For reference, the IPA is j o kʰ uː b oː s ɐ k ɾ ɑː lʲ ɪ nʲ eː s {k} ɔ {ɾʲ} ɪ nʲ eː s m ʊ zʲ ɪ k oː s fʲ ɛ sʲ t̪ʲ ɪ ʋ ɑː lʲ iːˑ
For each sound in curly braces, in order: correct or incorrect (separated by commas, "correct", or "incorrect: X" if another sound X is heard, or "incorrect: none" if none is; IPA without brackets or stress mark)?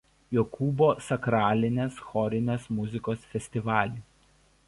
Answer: incorrect: x, correct